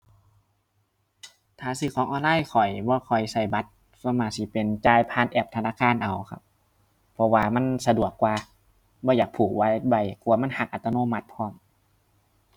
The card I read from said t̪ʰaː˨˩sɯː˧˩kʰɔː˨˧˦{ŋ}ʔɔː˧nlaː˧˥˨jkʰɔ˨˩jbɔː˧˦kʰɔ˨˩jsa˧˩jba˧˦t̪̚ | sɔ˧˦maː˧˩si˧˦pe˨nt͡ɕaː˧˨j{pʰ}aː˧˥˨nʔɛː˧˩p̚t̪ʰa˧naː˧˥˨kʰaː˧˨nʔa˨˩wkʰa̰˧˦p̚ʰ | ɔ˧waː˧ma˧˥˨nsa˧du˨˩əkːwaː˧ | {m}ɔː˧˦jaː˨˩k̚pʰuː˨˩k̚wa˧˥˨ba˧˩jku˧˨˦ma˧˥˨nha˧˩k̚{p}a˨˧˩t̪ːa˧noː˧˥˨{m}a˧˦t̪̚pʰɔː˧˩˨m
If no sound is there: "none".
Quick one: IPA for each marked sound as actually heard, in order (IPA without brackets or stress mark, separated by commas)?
ŋ, pʰ, b, ʔ, m